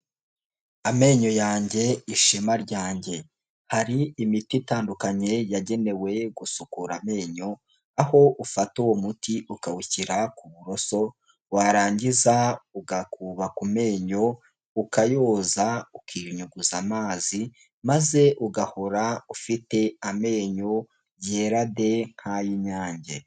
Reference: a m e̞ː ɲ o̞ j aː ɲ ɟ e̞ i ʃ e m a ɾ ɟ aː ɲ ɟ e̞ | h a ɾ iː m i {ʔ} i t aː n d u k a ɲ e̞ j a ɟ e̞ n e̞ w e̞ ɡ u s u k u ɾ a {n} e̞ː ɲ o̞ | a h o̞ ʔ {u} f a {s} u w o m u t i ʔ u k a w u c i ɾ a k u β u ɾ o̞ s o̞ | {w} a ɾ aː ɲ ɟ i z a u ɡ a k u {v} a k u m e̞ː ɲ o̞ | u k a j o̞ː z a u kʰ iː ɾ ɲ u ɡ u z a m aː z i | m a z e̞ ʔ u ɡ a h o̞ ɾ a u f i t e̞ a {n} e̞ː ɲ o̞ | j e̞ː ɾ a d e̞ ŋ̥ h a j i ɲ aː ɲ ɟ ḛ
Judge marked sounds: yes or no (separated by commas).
no, no, yes, no, yes, no, no